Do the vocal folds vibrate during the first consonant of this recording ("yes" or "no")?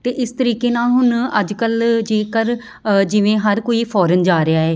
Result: no